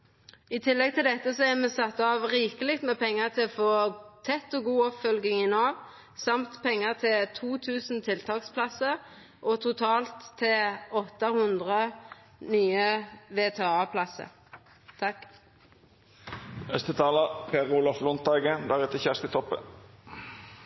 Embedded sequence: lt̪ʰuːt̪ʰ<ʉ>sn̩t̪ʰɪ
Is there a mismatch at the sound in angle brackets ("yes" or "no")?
yes